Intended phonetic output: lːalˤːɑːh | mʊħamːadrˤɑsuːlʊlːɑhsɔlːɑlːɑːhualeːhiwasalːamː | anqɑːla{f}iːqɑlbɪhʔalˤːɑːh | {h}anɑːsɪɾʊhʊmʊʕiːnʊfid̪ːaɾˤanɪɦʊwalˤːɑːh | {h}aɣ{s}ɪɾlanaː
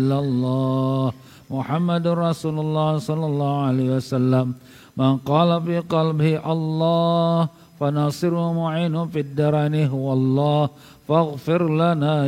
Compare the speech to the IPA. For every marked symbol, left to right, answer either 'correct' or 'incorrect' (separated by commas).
correct, incorrect, incorrect, incorrect